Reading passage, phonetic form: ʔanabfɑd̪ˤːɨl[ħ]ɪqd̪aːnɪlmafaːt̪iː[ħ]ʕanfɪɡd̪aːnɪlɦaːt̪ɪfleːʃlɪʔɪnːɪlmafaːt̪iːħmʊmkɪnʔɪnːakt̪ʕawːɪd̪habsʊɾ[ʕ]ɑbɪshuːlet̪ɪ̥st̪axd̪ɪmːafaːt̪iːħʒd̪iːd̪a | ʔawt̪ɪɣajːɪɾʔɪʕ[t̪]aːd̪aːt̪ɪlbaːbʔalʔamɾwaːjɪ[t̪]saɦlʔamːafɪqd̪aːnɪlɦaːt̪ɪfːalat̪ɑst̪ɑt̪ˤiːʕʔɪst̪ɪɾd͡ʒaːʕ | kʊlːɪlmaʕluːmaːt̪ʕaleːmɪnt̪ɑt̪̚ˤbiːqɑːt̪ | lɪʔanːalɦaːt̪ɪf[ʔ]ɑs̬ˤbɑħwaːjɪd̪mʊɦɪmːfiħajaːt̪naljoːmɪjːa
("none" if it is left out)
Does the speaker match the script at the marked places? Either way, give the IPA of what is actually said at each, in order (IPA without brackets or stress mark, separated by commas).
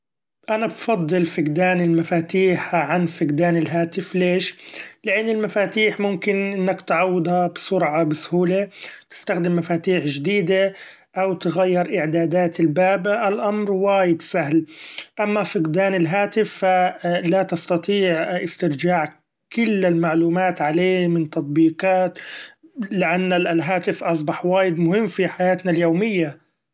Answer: f, ħ, ʕ, d̪, d̪, ʔ